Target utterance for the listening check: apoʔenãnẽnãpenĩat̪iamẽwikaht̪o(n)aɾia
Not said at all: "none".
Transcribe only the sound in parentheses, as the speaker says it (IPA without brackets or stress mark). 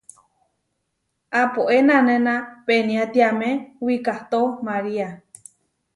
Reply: m